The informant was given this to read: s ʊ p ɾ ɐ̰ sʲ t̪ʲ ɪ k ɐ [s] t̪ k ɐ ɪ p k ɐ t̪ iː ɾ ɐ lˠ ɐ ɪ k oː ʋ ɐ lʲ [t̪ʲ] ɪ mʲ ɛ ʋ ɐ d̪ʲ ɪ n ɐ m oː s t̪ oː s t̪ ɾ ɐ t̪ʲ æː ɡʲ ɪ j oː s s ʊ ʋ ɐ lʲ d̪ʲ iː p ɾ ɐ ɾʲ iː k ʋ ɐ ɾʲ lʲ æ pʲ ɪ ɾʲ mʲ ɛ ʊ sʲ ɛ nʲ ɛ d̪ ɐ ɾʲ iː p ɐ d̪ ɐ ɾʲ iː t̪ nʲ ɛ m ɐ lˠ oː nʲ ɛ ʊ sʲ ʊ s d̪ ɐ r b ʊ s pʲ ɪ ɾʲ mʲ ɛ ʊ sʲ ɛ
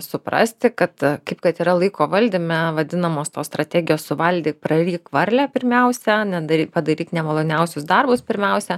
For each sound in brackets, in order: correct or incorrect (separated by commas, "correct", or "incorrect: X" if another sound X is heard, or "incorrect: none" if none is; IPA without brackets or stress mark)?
incorrect: none, incorrect: d̪ʲ